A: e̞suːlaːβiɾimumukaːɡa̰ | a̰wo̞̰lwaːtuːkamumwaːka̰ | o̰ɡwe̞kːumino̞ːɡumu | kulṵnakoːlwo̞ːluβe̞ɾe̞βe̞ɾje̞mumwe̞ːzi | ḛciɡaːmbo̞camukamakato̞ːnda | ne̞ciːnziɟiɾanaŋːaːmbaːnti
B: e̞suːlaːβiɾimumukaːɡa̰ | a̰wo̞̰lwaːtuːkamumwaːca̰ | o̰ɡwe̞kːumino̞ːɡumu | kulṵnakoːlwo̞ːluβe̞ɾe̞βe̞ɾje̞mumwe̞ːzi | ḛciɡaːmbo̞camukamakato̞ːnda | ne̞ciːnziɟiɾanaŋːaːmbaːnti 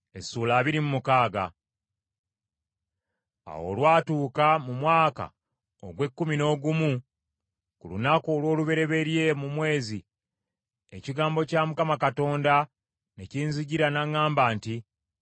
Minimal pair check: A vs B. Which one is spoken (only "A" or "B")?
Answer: A